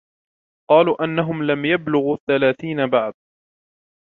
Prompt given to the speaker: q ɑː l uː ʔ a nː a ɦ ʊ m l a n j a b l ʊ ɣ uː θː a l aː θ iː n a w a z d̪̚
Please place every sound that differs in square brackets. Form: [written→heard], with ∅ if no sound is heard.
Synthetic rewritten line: q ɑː l uː ʔ a nː a ɦ ʊ m l a [n→m] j a b l ʊ ɣ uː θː a l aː θ iː n a [w→b] a [z→ʕ] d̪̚

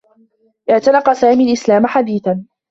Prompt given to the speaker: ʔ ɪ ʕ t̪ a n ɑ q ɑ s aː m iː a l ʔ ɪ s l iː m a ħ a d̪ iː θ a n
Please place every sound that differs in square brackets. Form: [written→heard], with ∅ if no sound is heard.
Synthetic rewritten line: ʔ ɪ ʕ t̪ a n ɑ q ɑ s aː m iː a l ʔ ɪ s l [iː→aː] m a ħ a d̪ iː θ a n

